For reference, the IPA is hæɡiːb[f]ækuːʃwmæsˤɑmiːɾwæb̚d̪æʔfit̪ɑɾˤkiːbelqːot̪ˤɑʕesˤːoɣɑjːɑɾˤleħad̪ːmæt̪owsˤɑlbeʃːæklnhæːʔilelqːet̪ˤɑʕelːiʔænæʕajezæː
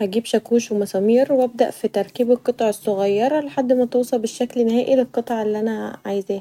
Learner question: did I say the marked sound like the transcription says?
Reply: no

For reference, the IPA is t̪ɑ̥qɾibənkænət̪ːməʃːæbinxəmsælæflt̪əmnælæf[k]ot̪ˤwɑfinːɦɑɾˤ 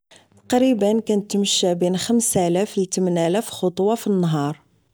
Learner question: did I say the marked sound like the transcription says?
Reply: no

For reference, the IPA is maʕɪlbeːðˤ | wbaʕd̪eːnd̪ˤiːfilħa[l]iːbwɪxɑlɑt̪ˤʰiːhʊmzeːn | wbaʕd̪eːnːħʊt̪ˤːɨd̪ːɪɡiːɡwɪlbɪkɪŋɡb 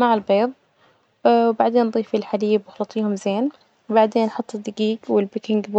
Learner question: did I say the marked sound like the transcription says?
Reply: yes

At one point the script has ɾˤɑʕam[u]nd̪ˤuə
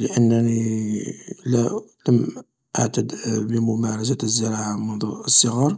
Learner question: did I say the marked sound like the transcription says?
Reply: no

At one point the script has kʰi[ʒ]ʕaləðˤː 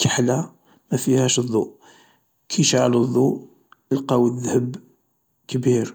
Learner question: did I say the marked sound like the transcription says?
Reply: no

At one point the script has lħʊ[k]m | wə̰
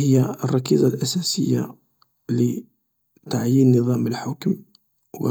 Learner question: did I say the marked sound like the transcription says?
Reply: yes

